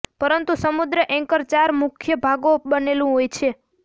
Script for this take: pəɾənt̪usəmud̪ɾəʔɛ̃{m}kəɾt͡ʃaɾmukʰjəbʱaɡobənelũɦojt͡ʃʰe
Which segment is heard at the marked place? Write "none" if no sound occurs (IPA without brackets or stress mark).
ŋ